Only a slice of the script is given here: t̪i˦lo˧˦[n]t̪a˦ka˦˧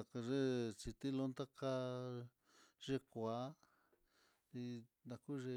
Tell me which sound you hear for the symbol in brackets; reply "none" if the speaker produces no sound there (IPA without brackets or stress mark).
n